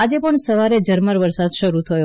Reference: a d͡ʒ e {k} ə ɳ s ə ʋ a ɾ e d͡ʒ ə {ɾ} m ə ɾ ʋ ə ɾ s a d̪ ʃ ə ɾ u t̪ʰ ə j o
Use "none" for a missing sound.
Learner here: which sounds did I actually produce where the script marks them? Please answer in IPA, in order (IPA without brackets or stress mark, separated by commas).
p, ɾ